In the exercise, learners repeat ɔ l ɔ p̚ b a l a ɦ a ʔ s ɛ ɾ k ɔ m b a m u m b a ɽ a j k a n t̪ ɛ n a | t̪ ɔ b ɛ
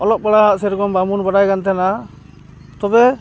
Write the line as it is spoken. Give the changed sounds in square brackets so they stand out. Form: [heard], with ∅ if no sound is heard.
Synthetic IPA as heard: ɔ l ɔ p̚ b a [ɽ] a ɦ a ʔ s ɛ ɾ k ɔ m b a m u [n] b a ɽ a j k a n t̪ ɛ n a | t̪ ɔ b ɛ